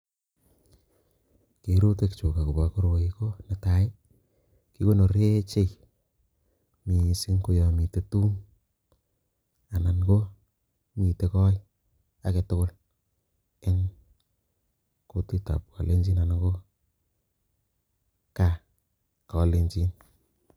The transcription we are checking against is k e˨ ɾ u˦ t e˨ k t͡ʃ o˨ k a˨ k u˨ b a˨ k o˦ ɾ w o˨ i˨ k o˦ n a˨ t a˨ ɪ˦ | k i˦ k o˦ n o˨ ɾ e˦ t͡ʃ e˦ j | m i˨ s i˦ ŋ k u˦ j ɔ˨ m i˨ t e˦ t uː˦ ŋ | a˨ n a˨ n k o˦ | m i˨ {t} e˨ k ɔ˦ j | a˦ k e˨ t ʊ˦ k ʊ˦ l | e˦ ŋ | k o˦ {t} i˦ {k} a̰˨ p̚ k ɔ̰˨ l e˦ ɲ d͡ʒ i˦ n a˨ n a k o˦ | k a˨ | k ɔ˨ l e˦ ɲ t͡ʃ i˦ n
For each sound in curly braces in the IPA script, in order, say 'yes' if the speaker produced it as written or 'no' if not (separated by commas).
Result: yes, yes, no